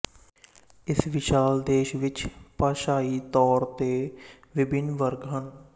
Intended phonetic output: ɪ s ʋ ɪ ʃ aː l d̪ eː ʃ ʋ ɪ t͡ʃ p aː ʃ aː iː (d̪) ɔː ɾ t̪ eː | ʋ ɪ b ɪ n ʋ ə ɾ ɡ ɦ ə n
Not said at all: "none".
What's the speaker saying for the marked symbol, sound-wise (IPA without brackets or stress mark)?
t̪